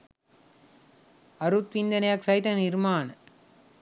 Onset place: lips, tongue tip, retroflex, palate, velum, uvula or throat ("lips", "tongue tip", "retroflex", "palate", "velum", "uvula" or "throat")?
tongue tip